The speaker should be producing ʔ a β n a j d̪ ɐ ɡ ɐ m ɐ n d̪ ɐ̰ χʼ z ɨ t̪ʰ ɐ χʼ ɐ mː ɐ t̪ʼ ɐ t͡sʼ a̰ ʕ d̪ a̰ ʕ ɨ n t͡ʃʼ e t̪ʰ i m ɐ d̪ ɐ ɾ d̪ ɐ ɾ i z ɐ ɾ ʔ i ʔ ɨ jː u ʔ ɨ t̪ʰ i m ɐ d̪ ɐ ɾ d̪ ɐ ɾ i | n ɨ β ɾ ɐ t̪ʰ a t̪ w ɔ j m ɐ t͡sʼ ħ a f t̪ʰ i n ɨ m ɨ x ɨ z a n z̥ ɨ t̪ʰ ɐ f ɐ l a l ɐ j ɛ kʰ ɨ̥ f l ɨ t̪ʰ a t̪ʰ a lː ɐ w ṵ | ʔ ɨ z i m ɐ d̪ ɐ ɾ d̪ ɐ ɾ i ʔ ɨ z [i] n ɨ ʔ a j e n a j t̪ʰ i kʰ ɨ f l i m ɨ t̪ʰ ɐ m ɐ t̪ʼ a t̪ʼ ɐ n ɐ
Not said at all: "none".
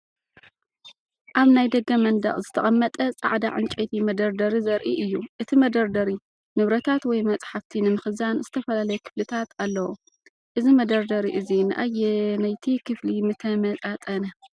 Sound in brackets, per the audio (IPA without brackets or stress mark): i